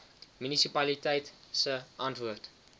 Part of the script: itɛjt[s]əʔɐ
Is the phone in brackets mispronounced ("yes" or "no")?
no